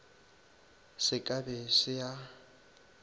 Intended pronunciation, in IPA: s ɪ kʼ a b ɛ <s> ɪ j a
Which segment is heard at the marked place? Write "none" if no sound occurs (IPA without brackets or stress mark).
s